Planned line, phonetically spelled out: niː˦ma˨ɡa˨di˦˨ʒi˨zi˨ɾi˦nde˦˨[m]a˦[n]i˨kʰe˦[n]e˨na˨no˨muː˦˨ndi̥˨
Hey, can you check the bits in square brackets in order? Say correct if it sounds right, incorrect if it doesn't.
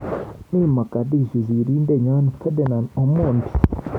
incorrect, correct, incorrect

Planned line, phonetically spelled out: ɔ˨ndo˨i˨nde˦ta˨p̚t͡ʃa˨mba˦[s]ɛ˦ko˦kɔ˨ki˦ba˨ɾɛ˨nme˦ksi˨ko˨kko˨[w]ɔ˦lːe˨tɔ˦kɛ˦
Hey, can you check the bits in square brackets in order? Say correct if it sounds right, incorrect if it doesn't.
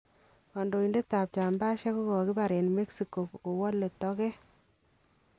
incorrect, correct

